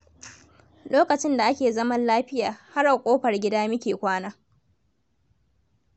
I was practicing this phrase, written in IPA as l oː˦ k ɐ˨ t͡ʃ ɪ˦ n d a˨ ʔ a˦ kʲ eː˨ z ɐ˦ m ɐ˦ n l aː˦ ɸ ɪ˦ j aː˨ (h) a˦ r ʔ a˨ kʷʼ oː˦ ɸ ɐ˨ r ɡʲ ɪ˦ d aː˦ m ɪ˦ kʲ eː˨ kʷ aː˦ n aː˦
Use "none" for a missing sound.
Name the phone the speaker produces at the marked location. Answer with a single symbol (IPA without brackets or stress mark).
h